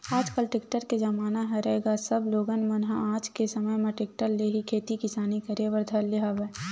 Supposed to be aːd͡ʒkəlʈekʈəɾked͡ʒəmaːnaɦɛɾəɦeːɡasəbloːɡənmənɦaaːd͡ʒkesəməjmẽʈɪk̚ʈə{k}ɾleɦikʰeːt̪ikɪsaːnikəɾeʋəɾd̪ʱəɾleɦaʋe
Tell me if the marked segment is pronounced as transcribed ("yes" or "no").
no